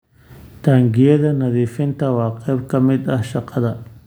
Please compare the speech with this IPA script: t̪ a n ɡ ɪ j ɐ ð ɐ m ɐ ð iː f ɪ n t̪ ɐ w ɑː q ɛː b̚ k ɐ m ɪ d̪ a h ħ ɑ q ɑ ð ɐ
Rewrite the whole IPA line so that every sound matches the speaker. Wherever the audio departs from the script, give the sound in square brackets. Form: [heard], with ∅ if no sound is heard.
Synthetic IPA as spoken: t̪ a [ŋ] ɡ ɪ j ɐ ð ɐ [n] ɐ ð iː f ɪ n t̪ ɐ w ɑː q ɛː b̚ k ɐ m ɪ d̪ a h [ʃ] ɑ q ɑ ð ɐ

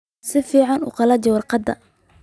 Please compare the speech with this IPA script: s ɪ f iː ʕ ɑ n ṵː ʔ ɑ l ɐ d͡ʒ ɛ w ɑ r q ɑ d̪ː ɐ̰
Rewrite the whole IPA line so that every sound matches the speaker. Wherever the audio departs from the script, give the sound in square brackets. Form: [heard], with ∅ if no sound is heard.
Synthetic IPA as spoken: s ɪ f iː ʕ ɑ n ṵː [q] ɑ l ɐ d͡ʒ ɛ w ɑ r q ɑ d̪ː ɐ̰

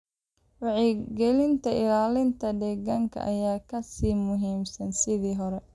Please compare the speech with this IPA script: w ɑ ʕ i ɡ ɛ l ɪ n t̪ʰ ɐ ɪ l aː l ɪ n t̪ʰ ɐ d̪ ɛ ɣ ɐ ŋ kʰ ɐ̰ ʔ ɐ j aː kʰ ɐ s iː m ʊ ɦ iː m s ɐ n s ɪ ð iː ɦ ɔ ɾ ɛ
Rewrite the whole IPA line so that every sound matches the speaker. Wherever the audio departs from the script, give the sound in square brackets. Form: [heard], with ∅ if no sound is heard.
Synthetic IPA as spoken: w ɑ ʕ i ɡ ɛ l ɪ n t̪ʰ ɐ ɪ l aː l ɪ n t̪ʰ ɐ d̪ ɛ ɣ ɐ ŋ kʰ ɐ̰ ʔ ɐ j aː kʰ ɐ s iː m ʊ ɦ iː m s ɐ n s ɪ ð iː ɦ ɔ ɾ ɛ

